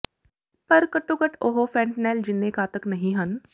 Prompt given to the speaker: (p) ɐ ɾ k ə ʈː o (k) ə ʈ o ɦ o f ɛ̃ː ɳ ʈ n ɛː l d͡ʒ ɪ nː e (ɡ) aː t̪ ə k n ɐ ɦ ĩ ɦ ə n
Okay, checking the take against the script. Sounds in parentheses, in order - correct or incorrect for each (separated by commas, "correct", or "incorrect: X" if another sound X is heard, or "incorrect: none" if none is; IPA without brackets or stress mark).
correct, correct, incorrect: k